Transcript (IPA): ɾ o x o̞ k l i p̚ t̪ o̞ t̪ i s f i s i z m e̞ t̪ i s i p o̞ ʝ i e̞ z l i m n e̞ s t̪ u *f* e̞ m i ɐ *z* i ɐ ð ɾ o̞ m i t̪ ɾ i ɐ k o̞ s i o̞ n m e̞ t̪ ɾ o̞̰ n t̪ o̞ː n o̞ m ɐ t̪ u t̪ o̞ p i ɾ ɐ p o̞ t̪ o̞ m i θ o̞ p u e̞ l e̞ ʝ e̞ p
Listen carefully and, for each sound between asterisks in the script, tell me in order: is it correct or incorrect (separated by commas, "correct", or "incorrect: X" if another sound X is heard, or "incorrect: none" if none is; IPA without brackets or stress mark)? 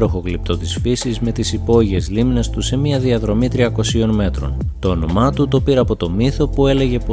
incorrect: s, incorrect: ð